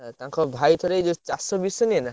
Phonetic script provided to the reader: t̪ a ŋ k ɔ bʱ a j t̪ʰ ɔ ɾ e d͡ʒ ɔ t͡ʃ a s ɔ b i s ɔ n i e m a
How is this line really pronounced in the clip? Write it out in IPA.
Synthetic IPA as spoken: t̪ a ŋ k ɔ bʱ a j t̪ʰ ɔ ɾ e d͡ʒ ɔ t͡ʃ a s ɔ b i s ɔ n i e n a